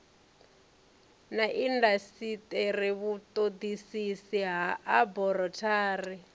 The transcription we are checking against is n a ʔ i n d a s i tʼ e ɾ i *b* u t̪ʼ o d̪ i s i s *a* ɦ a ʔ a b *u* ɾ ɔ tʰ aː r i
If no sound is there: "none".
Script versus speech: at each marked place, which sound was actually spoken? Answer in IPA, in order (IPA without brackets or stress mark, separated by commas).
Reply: β, i, ɔ